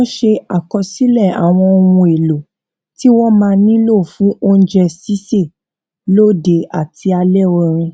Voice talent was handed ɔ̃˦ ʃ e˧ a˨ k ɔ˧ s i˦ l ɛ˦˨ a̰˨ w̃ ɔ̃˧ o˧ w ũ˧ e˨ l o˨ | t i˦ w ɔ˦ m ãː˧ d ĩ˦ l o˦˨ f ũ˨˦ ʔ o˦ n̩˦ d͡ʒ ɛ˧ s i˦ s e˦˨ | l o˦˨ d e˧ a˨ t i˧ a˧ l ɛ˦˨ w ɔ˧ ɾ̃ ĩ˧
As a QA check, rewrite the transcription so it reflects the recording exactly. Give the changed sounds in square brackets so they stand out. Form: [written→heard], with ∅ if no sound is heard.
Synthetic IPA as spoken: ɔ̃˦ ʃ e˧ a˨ k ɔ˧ s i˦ l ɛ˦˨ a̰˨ w̃ ɔ̃˧ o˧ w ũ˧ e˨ l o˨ | t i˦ w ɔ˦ m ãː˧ [d→n] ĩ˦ l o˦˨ f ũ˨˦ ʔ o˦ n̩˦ d͡ʒ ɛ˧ s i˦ s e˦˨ | l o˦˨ d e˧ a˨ t i˧ a˧ l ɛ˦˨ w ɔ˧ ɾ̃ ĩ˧